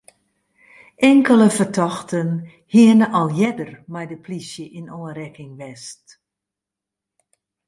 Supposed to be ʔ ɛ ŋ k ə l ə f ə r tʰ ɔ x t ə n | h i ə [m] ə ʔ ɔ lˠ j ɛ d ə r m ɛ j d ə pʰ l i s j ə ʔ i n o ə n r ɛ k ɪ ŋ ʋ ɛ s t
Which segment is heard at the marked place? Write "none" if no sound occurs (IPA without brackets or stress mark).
n